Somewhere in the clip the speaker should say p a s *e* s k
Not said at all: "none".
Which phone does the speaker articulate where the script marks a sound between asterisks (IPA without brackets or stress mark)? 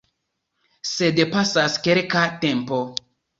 a